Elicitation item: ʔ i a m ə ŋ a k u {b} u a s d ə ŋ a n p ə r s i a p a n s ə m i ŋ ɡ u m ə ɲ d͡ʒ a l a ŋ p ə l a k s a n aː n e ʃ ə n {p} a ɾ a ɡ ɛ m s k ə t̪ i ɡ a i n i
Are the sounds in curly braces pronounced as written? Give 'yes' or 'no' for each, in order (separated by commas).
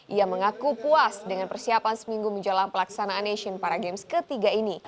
no, yes